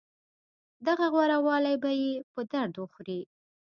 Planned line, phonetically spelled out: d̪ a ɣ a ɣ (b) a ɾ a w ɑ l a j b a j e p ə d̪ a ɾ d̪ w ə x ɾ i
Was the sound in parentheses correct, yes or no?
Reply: no